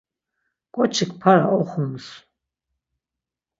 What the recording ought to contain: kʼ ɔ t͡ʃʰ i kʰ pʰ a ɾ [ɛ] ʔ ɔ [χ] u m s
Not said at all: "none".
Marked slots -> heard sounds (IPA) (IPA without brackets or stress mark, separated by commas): a, χ